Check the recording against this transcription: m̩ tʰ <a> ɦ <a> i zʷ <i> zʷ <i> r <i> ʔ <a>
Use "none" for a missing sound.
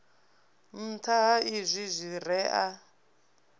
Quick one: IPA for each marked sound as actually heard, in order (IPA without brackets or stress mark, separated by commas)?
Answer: a, a, i, i, ɛ, a